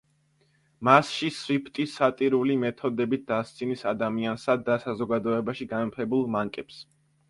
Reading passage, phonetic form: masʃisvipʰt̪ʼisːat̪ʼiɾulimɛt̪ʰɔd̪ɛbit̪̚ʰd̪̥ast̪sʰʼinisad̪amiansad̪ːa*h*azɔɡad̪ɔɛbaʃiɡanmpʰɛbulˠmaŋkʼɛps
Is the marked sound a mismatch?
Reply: yes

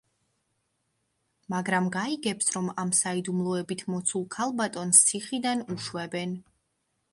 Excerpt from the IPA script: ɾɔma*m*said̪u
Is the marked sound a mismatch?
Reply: no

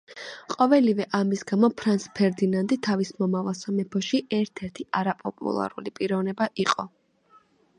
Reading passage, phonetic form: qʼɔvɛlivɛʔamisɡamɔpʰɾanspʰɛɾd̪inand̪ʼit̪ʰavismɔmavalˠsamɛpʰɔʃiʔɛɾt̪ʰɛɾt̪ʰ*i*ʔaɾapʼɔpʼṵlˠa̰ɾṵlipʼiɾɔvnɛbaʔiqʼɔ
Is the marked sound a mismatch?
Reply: no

